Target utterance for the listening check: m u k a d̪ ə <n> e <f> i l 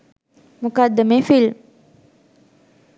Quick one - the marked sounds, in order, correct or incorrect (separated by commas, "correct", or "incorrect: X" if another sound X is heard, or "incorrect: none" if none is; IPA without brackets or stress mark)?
incorrect: m, correct